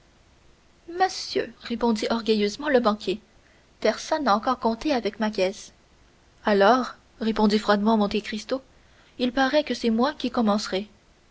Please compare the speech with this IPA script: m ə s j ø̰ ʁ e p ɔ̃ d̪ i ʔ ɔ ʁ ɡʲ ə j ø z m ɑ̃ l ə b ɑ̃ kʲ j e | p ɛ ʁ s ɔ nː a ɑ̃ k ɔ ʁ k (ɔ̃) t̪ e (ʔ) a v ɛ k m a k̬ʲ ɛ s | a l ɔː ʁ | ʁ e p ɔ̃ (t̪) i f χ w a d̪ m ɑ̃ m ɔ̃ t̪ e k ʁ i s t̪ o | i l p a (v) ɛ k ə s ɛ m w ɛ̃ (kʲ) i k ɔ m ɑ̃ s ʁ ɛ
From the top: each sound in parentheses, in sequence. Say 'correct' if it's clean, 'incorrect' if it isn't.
correct, incorrect: none, incorrect: d̪, incorrect: ʁ, correct

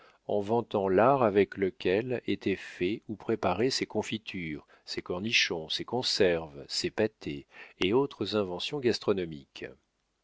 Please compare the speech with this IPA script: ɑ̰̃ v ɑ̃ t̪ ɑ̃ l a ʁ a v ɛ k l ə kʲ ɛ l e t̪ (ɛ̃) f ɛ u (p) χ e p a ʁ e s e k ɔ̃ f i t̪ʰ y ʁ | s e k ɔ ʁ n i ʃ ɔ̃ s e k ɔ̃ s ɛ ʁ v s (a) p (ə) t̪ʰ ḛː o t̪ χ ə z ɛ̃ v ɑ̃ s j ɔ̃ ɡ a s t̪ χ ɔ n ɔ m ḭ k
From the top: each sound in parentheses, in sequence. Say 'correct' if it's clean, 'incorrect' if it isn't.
incorrect: ɛ, correct, incorrect: e, incorrect: a

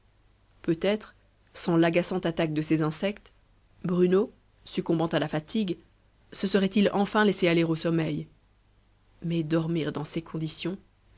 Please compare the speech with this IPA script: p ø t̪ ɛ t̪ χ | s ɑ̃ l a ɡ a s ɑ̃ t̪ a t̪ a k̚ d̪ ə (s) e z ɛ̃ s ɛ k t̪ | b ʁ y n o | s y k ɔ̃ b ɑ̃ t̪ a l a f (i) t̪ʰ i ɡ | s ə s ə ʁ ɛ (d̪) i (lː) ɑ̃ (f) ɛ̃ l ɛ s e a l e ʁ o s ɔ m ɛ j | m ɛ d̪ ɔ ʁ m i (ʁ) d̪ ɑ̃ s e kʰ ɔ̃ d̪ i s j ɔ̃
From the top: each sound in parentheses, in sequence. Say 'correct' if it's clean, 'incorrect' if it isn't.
correct, incorrect: a, incorrect: t̪, incorrect: l, correct, correct

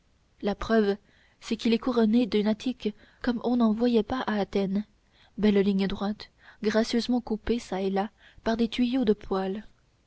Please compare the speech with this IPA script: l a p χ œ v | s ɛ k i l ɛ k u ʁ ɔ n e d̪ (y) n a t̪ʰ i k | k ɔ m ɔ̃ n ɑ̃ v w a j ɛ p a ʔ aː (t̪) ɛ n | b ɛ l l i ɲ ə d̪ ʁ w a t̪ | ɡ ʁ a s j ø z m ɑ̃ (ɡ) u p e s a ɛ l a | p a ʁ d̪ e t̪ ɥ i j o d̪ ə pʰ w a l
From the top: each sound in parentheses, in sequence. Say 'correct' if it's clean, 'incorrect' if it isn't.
correct, correct, incorrect: k

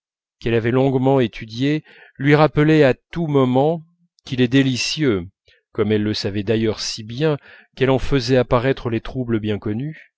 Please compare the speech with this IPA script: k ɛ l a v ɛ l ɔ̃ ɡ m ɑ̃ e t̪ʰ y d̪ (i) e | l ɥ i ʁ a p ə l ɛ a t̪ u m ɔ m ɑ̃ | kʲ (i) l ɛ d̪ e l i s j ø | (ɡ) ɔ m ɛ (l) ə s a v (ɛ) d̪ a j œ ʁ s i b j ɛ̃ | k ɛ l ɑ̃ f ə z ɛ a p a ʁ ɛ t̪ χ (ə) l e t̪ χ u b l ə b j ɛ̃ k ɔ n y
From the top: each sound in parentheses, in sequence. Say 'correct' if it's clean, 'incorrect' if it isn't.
incorrect: j, correct, incorrect: k, incorrect: lː, correct, correct

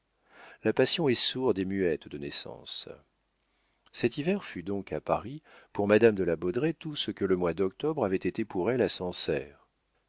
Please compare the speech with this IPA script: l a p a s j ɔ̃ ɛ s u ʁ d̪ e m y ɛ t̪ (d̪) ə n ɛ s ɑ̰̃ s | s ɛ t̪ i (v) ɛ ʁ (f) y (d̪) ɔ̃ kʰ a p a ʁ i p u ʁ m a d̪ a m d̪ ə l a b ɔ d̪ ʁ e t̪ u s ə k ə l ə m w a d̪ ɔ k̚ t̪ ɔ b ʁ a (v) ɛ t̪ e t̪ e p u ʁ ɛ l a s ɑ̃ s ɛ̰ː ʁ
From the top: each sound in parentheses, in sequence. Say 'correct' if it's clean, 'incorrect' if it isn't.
correct, correct, correct, correct, correct

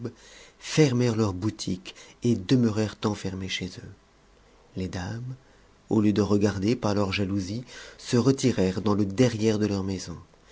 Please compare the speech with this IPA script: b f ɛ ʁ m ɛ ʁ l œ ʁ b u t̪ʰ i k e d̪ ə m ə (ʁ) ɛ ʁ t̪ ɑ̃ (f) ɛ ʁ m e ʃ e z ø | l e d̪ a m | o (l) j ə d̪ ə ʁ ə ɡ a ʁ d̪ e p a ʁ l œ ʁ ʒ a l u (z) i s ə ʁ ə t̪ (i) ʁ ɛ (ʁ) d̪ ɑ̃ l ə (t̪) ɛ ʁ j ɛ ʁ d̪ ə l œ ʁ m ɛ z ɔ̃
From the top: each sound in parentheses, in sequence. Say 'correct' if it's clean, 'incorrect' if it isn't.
correct, correct, correct, correct, correct, correct, incorrect: d̪

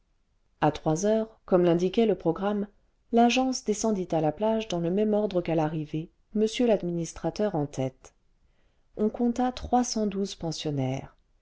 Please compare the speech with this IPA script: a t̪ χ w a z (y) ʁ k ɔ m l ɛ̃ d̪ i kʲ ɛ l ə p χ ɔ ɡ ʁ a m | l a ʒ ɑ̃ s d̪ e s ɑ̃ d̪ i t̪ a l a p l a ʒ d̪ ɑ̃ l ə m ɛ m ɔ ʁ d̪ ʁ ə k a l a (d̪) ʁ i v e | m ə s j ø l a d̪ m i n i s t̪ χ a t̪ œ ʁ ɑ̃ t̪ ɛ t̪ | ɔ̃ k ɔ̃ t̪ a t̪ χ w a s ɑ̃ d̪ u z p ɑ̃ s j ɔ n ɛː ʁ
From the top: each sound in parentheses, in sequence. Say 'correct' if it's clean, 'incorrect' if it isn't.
incorrect: œ, incorrect: none

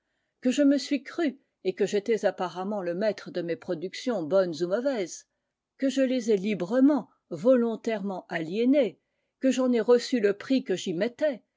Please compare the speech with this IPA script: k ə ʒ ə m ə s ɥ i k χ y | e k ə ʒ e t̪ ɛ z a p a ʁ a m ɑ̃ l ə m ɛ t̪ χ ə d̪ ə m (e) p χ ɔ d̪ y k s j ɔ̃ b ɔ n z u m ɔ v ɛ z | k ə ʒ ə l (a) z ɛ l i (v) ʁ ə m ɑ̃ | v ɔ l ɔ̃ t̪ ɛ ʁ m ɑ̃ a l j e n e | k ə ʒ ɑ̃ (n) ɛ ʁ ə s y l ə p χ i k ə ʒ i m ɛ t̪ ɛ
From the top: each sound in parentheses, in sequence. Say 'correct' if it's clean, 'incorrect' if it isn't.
correct, incorrect: e, incorrect: b, correct

